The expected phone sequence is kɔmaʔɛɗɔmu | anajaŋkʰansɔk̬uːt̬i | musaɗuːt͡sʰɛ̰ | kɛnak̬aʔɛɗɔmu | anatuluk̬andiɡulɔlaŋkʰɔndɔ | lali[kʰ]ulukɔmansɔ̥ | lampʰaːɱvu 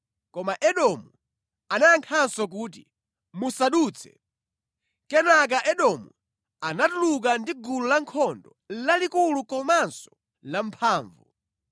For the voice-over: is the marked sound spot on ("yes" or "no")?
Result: no